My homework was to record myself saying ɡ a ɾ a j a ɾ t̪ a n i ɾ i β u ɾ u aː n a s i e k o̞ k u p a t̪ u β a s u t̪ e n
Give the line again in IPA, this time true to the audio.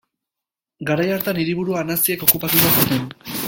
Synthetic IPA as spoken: ɡ a ɾ a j a ɾ t̪ a n i ɾ i β u ɾ u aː n a s i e k o̞ k u p a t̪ u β a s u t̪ e n